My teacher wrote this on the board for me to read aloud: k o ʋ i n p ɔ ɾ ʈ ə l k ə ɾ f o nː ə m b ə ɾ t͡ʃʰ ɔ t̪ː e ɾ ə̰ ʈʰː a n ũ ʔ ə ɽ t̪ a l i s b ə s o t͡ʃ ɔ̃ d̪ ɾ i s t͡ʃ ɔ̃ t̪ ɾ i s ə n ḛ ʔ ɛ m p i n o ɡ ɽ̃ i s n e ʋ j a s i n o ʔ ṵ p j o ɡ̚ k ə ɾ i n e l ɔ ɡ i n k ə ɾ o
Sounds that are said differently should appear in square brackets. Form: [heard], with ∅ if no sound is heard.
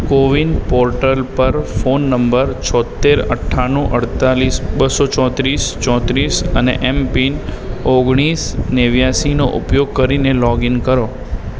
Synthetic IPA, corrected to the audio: k o ʋ i n p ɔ ɾ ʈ ə l [p] ə ɾ f o nː ə m b ə ɾ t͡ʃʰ ɔ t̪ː e ɾ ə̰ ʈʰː a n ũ ʔ ə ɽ t̪ a l i s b ə s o t͡ʃ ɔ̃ [t̪] ɾ i s t͡ʃ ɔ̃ t̪ ɾ i s ə n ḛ ʔ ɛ m p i n o ɡ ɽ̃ i s n e ʋ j a s i n o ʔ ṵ p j o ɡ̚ k ə ɾ i n e l ɔ ɡ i n k ə ɾ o